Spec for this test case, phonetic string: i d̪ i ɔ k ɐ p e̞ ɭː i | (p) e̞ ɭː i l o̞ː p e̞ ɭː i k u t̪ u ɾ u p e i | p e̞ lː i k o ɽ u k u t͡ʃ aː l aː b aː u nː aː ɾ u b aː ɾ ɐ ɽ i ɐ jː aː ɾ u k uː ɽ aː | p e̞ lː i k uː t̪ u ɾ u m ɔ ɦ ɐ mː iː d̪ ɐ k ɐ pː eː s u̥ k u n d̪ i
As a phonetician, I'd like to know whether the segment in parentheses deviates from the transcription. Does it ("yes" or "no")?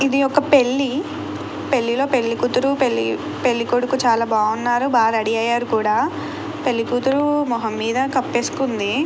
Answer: no